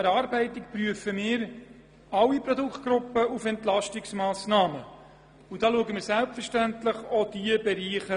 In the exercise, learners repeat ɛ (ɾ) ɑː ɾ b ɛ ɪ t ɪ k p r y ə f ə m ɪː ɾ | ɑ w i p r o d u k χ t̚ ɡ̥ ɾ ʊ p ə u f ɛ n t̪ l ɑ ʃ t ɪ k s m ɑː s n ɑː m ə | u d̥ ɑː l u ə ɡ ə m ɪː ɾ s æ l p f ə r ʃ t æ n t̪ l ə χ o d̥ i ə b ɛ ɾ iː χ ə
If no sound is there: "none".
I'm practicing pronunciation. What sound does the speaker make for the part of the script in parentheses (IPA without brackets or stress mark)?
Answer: ɾ